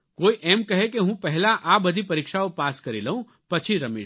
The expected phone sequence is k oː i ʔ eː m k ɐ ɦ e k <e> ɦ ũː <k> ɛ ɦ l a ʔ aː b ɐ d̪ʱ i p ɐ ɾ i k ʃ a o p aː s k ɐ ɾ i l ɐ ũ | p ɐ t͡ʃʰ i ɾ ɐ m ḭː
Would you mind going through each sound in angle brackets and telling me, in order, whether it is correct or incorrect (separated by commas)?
correct, incorrect